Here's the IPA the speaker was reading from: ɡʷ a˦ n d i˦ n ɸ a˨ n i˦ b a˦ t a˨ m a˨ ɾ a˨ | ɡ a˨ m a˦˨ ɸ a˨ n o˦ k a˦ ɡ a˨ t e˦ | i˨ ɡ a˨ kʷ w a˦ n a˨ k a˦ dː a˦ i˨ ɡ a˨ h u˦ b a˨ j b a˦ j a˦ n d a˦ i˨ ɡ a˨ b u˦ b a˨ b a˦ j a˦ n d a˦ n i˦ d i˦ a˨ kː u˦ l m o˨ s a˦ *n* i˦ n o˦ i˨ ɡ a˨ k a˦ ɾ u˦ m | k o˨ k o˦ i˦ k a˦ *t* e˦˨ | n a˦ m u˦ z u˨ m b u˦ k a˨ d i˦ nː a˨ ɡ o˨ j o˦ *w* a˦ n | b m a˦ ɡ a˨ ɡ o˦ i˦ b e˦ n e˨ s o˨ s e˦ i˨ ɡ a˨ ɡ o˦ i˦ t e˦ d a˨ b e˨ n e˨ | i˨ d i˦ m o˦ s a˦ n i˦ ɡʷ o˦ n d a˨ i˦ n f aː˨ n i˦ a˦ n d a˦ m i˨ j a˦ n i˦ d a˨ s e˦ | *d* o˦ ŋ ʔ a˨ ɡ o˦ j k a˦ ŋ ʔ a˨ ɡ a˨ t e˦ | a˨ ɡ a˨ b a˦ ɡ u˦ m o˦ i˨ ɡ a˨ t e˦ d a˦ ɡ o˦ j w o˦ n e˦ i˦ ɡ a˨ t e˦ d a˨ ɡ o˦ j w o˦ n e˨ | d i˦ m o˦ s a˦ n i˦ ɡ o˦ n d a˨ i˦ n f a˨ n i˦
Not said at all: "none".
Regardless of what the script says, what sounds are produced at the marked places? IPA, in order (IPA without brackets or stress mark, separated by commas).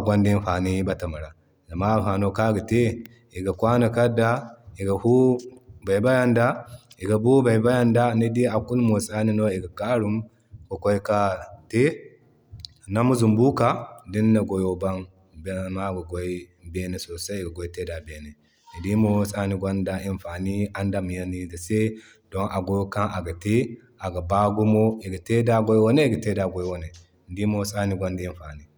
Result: n, t, b, d